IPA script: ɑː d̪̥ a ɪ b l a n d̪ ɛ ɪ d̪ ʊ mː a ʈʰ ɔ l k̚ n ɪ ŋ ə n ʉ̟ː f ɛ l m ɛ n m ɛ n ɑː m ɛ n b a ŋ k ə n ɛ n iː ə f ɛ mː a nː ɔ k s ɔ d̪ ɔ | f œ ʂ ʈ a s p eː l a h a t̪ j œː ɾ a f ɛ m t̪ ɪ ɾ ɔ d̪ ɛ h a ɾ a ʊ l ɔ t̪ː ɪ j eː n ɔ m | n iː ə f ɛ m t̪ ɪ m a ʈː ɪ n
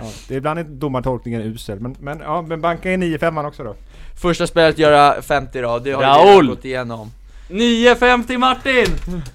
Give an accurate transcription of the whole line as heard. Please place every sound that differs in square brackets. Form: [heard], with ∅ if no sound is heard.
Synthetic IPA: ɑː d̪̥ [ɛ] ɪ b l a n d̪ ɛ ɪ d̪ ʊ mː a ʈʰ ɔ l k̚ n ɪ ŋ ə n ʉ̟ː [s] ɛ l m ɛ n m ɛ n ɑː m ɛ n b a ŋ k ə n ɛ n iː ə f ɛ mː a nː ɔ k s ɔ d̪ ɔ | f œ ʂ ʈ a s p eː l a [∅] a t̪ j œː ɾ a f ɛ m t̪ ɪ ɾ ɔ d̪ ɛ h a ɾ a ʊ l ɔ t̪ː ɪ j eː n ɔ m | n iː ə f ɛ m t̪ ɪ m a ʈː ɪ n